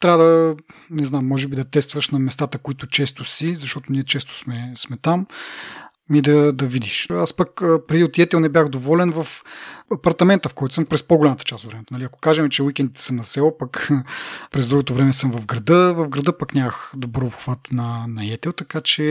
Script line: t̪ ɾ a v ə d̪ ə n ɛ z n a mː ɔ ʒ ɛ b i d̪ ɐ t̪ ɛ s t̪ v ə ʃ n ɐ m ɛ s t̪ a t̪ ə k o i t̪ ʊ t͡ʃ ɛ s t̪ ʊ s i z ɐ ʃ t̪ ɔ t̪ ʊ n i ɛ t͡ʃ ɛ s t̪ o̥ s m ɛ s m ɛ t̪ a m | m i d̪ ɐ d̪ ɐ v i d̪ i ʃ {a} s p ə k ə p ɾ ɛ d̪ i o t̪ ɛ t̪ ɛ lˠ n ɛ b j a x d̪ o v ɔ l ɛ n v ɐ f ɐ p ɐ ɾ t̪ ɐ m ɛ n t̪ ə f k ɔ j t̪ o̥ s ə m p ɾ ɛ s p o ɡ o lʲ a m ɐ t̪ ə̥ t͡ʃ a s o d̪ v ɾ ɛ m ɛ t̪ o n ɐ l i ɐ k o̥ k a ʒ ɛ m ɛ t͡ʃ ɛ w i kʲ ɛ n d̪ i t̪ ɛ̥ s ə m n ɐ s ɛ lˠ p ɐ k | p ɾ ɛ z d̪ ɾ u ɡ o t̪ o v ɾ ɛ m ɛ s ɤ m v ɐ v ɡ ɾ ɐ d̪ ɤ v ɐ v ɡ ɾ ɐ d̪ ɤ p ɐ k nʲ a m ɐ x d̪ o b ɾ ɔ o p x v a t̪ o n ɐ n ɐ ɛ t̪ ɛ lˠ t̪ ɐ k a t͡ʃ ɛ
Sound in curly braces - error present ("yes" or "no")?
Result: no